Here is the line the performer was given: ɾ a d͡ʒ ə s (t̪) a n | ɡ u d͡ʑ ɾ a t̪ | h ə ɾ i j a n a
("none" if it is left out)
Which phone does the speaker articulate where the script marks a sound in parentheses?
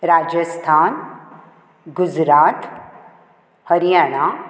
t̪ʰ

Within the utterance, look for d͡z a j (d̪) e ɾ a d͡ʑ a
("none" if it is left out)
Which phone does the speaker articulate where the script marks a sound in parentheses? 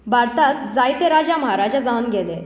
t̪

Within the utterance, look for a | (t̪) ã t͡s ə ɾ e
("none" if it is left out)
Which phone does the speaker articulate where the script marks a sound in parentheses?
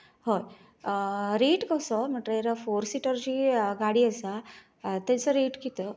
t̪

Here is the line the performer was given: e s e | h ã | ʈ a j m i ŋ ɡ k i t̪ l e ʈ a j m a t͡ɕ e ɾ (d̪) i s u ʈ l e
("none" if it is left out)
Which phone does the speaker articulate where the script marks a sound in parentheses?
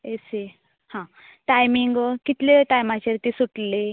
t̪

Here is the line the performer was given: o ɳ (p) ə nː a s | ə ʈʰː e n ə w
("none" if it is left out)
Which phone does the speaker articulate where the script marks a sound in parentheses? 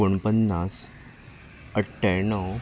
p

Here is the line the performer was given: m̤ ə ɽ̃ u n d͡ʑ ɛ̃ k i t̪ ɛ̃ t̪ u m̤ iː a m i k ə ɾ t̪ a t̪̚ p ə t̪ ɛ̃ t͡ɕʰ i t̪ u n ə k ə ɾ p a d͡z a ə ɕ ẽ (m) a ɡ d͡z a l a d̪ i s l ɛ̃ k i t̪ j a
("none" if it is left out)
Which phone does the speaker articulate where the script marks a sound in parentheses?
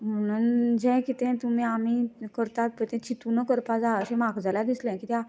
m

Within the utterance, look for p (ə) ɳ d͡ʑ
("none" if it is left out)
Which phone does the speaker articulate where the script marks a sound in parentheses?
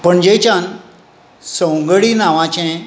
ə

